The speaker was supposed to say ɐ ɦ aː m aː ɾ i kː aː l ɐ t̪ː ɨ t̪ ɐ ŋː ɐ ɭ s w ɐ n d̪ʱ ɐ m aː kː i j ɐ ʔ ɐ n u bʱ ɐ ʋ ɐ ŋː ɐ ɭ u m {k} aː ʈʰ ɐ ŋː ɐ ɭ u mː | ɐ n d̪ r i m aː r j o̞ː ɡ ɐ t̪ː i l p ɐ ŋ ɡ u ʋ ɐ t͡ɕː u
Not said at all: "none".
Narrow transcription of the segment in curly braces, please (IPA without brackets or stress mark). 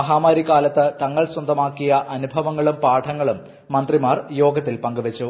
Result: p